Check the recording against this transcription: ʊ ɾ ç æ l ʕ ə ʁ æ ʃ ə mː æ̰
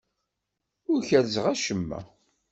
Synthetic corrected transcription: ʊ ɾ ç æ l z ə ʁ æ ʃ ə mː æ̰